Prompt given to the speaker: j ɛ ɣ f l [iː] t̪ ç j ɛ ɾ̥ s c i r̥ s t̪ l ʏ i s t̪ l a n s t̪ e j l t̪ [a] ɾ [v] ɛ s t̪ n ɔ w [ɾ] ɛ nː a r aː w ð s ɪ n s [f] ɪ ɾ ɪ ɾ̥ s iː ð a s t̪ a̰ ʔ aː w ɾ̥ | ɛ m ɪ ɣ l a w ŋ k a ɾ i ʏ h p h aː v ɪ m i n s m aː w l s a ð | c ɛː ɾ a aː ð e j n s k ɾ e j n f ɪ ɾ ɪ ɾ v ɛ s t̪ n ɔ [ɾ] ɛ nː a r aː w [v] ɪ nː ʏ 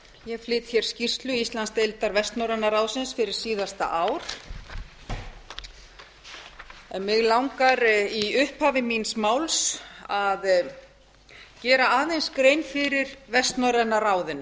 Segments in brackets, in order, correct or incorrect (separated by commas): incorrect, correct, correct, correct, correct, correct, incorrect